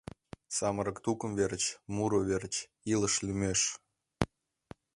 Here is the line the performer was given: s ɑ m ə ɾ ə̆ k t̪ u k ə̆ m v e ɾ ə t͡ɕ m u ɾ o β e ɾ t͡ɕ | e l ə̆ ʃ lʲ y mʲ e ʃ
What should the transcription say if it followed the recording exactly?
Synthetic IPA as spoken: s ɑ m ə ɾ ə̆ k t̪ u k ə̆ m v e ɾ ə t͡ɕ m u ɾ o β e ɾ t͡ɕ | i l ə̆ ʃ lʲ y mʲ e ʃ